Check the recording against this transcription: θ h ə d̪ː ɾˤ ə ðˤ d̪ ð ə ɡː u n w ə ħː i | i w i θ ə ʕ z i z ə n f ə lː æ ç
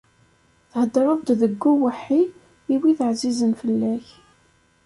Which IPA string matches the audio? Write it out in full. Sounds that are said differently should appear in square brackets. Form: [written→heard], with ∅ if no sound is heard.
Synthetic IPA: θ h ə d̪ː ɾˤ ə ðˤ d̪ ð ə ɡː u [n→∅] w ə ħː i | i w i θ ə ʕ z i z ə n f ə lː æ ç